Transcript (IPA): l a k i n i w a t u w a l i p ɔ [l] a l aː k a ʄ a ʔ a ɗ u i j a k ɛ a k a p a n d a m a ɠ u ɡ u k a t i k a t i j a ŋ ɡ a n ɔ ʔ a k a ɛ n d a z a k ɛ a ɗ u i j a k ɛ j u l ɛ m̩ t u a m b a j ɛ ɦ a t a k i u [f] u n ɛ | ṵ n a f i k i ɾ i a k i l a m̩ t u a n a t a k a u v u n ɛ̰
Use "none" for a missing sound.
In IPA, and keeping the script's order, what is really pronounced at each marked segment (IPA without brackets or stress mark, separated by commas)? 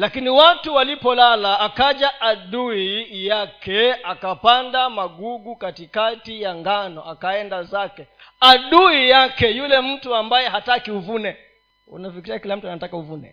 l, v